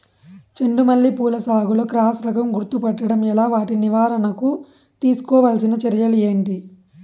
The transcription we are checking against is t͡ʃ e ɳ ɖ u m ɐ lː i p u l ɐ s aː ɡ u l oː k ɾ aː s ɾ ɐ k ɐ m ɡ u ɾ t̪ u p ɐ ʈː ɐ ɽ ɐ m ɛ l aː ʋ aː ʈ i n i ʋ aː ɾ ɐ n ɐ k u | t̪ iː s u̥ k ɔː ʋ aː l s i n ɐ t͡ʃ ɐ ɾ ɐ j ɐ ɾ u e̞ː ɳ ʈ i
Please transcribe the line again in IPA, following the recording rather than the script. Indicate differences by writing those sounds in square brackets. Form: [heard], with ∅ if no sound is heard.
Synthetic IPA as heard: t͡ʃ e ɳ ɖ u m ɐ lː i p [uː] l ɐ s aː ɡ u l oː k ɾ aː s ɾ ɐ k ɐ m ɡ u ɾ t̪ u p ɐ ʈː ɐ ɽ ɐ m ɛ l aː ʋ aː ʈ i n i ʋ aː ɾ ɐ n ɐ k u | t̪ iː s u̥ k ɔː ʋ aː l s i n ɐ t͡ʃ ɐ ɾ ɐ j ɐ [l] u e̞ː ɳ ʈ i